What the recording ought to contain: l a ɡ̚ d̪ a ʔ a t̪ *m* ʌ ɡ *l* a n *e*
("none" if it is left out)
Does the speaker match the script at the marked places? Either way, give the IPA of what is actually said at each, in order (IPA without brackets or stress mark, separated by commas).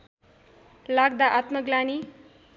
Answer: m, l, i